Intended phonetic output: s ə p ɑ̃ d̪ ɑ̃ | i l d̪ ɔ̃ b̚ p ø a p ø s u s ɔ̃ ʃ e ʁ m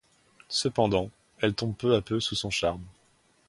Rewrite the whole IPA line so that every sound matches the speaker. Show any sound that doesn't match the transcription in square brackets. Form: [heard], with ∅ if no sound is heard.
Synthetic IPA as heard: s ə p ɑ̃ d̪ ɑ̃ | [ɛ] l [t̪] ɔ̃ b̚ p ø a p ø s u s ɔ̃ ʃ [a] ʁ m